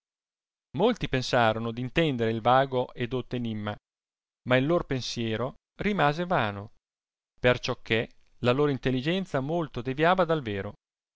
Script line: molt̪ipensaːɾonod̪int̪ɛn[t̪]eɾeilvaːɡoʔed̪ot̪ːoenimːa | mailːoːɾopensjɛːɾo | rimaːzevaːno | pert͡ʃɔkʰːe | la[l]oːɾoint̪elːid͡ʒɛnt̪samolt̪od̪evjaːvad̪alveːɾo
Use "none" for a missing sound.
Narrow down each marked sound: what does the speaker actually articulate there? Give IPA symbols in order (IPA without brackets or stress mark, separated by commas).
d̪, l